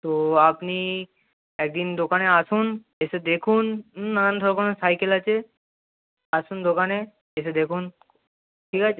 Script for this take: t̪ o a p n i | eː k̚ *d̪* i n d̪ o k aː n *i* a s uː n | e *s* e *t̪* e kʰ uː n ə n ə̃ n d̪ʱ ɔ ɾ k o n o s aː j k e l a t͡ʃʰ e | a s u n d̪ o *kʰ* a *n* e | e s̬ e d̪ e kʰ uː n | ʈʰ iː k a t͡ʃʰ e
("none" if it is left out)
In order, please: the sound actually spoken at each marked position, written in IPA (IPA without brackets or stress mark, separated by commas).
d̪, e, s, d̪, k, n